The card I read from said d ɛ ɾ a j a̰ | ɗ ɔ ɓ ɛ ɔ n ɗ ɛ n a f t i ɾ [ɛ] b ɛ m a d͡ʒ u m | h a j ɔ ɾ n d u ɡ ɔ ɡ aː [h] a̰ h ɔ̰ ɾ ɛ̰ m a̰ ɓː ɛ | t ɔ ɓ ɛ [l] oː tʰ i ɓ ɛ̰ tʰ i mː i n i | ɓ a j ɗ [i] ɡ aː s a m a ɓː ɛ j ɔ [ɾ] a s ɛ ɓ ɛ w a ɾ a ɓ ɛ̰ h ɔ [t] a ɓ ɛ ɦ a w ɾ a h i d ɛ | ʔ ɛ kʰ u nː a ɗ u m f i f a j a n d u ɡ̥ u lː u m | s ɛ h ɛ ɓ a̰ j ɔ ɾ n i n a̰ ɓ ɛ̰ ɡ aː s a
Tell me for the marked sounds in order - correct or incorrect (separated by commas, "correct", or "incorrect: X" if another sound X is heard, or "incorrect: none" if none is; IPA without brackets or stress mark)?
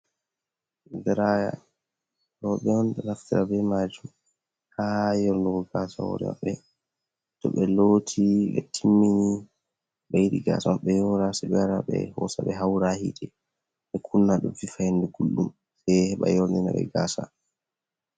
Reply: incorrect: a, incorrect: s, correct, correct, correct, incorrect: s